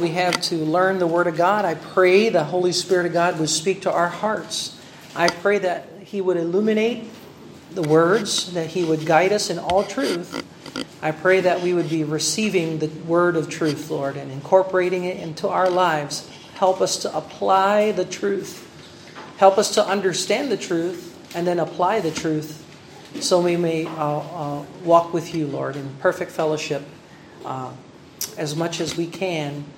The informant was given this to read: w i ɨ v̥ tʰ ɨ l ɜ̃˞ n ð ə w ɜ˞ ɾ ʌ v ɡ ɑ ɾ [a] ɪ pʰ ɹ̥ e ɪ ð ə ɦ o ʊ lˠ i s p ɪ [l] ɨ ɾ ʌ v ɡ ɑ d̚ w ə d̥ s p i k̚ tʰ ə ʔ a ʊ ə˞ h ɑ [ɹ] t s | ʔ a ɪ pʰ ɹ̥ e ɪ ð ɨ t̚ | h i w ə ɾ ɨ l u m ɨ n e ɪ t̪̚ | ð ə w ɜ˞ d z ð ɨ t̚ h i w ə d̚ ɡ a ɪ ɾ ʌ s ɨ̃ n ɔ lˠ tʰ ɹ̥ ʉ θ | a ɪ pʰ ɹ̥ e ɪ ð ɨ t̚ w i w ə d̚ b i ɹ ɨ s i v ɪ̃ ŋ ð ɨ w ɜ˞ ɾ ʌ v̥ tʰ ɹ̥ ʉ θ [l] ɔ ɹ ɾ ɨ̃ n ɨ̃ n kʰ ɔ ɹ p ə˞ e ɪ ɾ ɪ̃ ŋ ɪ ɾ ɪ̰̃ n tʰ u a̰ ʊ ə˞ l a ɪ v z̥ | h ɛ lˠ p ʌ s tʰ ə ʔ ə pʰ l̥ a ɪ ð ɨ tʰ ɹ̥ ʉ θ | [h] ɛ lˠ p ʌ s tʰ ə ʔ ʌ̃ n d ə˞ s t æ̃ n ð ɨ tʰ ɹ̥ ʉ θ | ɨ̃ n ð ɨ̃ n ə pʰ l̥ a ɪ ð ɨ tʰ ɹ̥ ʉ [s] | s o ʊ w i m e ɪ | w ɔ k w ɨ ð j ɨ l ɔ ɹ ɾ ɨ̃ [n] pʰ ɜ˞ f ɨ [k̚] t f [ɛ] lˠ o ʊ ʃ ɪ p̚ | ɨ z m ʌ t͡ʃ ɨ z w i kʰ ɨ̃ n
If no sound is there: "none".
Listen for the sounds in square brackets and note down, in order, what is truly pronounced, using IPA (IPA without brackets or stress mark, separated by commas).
a, ɹ, ɹ, l, h, θ, n, k̚, ɛ